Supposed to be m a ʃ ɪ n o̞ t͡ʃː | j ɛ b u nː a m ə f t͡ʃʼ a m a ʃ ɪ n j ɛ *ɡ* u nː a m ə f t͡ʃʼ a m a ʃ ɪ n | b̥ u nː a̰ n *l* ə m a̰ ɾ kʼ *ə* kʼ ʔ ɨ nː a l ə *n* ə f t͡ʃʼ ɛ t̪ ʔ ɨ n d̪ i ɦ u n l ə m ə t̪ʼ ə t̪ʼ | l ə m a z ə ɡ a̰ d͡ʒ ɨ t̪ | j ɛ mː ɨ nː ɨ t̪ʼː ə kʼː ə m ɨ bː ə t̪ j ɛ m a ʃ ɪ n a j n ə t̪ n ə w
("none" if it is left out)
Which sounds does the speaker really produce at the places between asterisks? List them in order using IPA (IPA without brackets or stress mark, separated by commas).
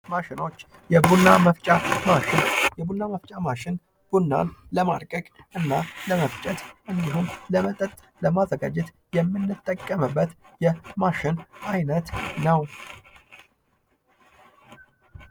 b, l, ə, m